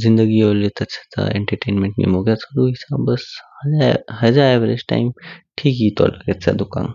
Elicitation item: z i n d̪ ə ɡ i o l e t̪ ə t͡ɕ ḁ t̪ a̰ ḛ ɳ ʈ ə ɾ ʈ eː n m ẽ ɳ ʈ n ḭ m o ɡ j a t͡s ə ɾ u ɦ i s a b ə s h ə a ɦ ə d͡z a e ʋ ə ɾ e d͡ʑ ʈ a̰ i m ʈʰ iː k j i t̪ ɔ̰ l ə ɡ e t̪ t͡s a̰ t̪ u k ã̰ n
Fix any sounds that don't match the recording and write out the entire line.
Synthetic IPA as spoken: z i n d̪ ə ɡ i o l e t̪ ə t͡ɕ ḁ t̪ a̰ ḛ ɳ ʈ ə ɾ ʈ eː n m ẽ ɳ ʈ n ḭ m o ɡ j a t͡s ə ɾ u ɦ i s a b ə s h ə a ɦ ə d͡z a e ʋ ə ɾ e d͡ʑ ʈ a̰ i m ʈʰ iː k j i t̪ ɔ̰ l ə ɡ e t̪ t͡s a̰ d̪ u k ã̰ n